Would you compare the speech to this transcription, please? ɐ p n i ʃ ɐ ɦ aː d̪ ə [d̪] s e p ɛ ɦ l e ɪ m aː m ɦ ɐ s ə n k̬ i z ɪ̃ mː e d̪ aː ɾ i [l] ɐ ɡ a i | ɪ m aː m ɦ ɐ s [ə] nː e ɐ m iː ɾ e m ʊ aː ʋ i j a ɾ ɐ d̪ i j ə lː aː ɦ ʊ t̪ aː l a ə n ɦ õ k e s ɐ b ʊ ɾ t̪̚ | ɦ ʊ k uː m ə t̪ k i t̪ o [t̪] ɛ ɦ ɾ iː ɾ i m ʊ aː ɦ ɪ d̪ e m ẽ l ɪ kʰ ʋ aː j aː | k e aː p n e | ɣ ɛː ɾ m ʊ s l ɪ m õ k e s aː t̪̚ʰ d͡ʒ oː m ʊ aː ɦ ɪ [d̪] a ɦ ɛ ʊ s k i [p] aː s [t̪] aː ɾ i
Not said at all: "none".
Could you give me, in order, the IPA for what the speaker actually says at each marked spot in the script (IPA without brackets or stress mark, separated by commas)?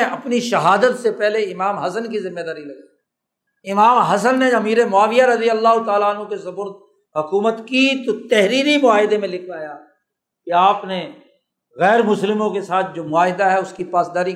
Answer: t̪, l, ə, t̪, d̪, p, d̪